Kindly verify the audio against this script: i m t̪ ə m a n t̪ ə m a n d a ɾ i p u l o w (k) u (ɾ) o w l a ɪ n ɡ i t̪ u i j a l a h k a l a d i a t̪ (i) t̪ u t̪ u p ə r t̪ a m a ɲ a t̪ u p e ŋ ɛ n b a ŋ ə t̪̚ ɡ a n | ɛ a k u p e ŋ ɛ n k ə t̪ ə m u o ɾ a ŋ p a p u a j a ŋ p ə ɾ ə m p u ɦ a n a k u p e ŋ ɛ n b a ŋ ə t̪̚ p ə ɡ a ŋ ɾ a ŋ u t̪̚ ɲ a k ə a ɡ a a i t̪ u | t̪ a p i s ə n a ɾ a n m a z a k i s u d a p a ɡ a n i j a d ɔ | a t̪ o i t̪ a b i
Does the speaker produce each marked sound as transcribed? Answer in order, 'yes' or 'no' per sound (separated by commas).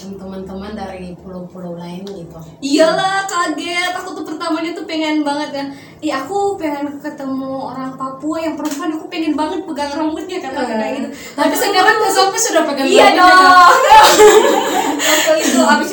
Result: no, no, no